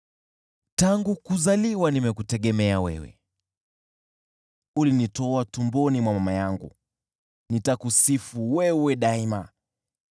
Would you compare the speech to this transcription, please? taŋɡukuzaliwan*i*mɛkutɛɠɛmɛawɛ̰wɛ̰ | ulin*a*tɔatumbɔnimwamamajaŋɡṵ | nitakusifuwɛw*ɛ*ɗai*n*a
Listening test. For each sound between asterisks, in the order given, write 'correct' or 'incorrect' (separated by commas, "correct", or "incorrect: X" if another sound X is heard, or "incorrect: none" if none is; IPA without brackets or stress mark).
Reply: correct, incorrect: i, correct, incorrect: m